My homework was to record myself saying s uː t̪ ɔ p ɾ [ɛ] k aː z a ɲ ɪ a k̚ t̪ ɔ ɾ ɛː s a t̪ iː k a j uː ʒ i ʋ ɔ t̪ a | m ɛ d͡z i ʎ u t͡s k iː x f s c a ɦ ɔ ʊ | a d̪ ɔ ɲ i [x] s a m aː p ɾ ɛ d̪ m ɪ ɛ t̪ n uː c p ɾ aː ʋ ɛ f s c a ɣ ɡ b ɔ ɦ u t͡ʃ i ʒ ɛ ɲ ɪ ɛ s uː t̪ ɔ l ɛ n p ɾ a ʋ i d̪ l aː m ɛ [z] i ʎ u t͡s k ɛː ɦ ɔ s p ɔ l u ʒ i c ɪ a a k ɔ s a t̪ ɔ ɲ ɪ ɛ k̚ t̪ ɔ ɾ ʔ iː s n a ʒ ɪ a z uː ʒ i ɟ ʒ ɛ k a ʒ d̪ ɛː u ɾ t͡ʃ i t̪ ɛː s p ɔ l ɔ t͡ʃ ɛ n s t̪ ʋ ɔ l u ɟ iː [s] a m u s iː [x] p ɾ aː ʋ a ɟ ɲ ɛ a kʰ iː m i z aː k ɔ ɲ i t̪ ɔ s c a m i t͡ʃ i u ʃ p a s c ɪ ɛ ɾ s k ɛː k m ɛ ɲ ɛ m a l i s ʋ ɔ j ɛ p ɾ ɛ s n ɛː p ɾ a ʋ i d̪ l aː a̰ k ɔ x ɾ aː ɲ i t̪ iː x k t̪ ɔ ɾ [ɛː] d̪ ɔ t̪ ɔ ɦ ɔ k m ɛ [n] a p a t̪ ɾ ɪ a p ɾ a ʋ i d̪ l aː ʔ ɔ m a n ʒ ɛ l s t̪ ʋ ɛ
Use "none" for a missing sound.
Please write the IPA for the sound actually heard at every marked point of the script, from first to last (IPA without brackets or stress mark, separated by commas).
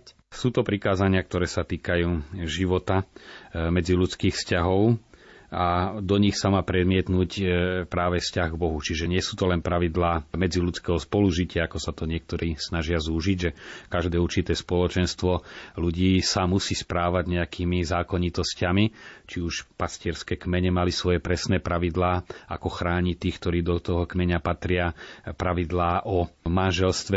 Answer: i, x, d͡z, s, s, iː, ɲ